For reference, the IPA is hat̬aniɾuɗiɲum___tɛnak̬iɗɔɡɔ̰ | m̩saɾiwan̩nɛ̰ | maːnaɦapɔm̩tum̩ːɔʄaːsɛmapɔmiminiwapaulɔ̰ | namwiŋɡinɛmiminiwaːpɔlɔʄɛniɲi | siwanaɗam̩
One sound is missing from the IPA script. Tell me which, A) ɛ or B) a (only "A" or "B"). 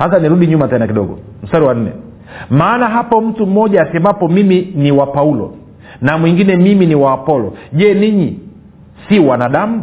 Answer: B